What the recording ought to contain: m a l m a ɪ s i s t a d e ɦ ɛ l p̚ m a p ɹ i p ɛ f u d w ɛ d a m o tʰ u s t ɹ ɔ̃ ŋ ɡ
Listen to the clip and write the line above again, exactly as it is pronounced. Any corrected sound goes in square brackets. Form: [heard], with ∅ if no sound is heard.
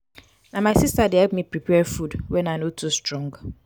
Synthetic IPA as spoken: [n] a [∅] m a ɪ s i s t a d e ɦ ɛ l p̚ m [i] p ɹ i p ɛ f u d w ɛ [n] a [n] o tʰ u s t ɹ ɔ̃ ŋ ɡ